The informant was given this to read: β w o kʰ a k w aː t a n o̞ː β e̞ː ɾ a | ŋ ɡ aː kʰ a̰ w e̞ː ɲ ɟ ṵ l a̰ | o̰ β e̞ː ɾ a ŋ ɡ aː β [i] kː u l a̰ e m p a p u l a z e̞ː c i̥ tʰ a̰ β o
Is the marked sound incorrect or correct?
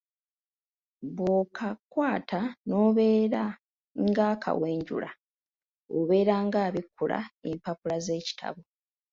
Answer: correct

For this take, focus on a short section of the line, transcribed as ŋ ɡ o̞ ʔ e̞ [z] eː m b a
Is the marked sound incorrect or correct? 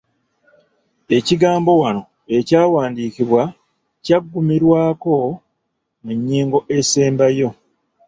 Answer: incorrect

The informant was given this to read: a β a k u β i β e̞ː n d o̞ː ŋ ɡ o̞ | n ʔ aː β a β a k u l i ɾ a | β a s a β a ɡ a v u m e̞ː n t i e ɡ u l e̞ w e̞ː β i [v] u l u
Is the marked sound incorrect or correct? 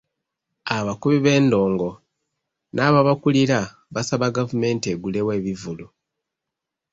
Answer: correct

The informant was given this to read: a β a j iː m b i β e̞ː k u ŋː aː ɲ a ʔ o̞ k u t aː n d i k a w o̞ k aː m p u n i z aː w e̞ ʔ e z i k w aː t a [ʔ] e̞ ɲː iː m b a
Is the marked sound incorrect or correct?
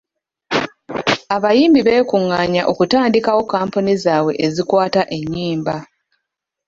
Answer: correct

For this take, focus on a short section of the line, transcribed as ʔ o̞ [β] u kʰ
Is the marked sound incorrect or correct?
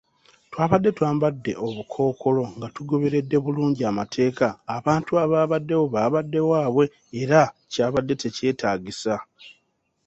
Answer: correct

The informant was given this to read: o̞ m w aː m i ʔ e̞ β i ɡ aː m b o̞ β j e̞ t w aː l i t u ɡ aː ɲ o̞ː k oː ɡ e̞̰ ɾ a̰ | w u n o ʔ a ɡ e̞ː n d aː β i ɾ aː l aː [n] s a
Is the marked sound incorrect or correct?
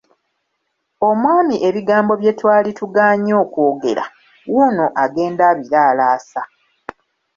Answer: incorrect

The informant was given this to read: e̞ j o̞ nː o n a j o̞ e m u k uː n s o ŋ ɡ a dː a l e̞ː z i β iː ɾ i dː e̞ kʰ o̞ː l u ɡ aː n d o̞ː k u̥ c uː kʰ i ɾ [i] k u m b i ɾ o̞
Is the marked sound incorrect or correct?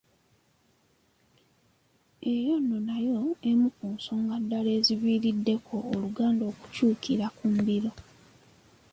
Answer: incorrect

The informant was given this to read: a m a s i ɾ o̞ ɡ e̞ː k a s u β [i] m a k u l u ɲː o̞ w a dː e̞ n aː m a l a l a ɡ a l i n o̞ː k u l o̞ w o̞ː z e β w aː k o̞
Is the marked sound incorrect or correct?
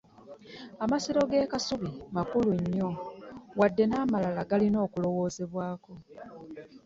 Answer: correct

